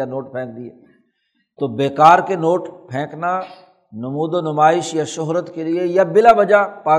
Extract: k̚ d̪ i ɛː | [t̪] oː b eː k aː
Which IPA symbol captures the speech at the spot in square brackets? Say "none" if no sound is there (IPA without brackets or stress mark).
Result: t̪